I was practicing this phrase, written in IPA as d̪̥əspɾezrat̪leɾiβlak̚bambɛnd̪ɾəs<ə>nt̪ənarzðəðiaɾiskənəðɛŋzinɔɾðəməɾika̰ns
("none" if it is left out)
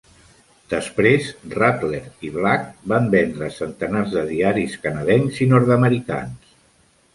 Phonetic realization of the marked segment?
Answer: ə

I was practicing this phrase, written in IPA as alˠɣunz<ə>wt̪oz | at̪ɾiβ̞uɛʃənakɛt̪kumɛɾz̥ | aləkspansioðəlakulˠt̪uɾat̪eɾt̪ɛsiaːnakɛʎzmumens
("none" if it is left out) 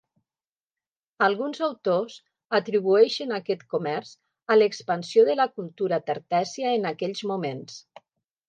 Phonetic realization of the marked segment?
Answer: a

